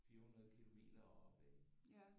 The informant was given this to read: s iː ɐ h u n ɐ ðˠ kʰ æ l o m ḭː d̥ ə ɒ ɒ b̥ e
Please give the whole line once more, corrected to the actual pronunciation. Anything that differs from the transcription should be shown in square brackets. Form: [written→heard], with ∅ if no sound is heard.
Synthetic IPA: [s→f] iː ɐ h u n ɐ ðˠ kʰ [æ→i] l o m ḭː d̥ [ə→ɐ] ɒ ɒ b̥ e